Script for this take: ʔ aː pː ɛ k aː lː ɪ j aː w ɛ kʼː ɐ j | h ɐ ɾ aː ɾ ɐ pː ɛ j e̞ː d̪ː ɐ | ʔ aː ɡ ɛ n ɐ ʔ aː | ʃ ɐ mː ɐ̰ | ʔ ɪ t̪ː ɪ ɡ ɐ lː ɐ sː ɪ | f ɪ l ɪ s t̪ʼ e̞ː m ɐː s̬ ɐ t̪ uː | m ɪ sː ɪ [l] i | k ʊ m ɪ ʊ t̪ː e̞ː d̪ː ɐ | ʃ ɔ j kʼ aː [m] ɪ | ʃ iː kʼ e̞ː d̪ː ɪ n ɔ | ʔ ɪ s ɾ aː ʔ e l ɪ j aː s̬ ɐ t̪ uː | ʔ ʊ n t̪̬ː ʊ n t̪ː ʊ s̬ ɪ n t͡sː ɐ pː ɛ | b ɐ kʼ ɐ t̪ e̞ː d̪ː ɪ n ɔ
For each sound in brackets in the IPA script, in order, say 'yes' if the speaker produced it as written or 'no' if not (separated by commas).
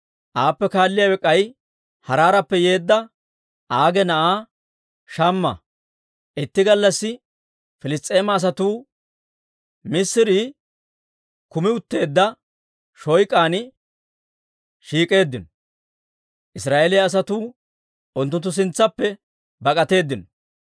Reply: no, no